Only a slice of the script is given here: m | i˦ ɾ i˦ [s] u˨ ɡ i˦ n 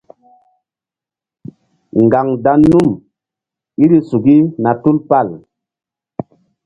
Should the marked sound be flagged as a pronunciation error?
no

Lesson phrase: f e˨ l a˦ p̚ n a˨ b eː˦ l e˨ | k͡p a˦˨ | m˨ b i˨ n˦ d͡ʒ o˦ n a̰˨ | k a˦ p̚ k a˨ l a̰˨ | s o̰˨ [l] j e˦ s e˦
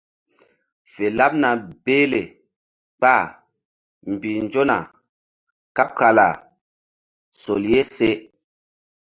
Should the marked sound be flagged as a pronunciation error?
no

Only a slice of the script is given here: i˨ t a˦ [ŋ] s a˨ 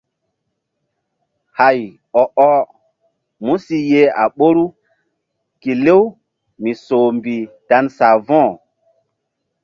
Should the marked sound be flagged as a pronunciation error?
yes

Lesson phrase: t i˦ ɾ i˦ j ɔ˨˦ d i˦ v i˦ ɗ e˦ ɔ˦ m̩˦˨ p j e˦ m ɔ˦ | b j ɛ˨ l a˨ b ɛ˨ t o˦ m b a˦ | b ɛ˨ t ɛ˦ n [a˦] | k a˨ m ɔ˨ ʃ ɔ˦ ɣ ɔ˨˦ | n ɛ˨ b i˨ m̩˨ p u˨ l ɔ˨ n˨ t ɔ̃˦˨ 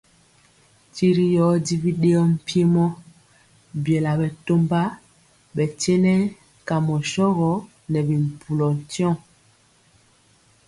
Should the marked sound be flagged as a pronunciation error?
yes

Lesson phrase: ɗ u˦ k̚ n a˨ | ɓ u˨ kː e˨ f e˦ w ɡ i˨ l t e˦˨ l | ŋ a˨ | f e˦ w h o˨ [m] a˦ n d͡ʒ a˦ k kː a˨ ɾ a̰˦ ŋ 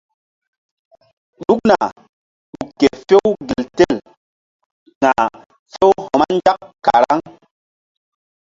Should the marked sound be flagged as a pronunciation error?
no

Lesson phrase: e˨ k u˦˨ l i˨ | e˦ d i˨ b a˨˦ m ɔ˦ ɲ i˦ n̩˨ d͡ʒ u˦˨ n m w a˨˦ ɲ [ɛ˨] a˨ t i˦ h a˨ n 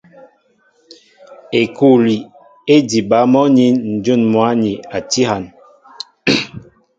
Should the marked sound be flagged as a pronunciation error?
yes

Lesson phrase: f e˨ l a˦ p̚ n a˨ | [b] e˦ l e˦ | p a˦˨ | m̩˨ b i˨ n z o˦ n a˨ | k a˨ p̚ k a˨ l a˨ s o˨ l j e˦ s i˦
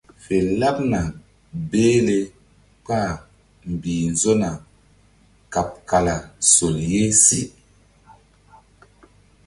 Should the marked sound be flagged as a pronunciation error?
no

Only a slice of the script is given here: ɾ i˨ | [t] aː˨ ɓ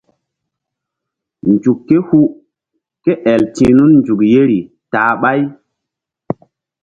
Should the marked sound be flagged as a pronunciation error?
no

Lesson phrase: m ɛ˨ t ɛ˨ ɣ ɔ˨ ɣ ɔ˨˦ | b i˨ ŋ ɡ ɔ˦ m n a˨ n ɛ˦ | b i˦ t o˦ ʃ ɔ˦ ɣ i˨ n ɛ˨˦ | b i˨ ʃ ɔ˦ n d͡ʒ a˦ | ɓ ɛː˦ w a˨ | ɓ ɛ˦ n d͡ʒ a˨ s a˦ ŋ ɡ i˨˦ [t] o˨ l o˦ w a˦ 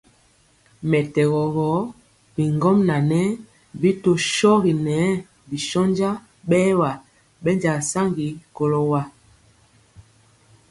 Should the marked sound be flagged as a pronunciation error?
yes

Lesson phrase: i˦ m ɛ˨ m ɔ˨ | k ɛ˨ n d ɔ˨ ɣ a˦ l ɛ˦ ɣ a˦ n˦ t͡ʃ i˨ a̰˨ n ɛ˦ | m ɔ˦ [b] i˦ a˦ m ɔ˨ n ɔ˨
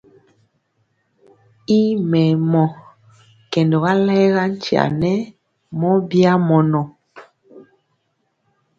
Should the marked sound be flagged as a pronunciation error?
no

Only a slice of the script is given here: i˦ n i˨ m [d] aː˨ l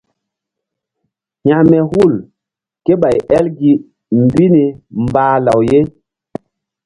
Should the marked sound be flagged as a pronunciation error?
yes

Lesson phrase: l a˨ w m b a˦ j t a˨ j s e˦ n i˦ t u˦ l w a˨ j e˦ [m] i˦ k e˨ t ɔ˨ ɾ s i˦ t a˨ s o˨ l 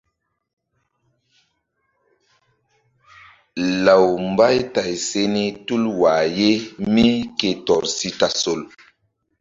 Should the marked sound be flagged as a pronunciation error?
no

